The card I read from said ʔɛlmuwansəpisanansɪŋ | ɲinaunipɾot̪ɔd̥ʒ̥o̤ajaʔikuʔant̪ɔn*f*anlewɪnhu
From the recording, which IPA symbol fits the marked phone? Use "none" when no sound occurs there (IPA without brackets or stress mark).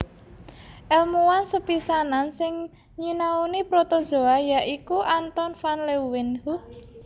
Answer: f